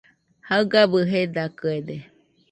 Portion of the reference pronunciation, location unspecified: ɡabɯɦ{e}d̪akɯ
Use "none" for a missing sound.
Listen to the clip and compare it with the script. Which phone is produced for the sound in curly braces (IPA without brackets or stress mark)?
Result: e